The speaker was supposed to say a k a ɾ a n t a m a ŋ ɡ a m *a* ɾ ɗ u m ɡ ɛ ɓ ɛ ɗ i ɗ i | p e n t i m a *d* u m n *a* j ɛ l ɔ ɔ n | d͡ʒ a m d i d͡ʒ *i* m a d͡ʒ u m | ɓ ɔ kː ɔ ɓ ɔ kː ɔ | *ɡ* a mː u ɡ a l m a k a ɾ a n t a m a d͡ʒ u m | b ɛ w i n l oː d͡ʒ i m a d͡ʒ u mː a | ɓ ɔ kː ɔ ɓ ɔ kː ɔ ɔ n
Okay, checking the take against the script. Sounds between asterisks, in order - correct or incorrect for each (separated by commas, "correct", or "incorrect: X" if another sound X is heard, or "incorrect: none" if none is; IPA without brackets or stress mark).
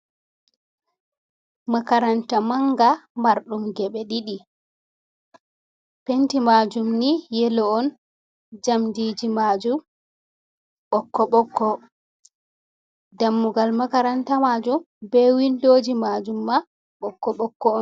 correct, incorrect: d͡ʒ, incorrect: i, correct, incorrect: d